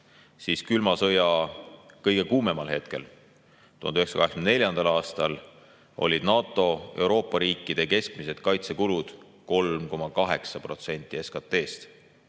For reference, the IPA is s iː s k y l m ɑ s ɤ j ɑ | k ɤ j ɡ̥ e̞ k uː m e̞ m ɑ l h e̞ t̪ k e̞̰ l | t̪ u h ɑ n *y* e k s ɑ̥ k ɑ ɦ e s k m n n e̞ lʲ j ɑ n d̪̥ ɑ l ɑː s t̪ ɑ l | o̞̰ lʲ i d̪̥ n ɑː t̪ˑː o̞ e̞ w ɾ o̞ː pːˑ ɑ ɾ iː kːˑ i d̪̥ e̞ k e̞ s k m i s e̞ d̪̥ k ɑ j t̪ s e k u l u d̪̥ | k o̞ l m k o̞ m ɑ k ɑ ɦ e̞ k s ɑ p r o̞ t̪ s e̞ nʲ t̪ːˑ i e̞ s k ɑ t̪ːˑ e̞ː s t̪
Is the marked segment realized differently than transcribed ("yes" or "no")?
no